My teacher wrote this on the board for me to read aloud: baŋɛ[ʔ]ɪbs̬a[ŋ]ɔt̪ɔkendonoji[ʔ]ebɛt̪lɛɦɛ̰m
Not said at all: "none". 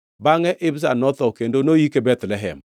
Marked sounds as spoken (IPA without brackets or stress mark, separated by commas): ʔ, n, k